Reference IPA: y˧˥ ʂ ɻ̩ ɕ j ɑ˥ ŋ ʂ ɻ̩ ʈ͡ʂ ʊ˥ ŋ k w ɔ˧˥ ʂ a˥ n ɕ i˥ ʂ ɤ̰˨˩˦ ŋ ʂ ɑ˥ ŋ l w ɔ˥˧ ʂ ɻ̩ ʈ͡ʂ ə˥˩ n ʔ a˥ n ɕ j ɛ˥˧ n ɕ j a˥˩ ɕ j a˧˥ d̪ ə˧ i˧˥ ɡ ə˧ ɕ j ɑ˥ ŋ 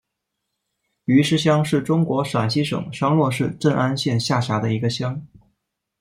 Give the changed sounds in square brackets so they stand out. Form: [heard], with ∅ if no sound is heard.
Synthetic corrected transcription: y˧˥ ʂ ɻ̩ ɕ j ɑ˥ ŋ ʂ ɻ̩ ʈ͡ʂ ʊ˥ ŋ k w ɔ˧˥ ʂ [a˨˩] n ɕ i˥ ʂ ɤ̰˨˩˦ ŋ ʂ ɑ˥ ŋ l w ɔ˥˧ ʂ ɻ̩ ʈ͡ʂ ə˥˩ n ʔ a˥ n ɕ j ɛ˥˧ n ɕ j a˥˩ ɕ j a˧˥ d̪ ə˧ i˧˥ ɡ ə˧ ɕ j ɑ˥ ŋ